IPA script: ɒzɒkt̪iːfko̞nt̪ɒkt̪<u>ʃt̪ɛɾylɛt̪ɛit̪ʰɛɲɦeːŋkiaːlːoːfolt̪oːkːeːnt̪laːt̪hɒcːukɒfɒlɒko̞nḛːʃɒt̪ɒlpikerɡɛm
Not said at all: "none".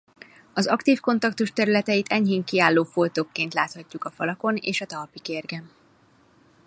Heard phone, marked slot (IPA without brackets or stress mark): u